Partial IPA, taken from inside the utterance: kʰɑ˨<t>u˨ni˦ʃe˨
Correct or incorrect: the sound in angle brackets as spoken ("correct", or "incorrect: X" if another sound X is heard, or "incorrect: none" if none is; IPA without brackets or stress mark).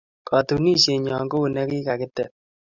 correct